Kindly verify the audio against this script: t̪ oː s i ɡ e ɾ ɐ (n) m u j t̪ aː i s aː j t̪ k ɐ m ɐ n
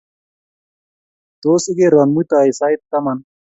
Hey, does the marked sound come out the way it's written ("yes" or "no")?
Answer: yes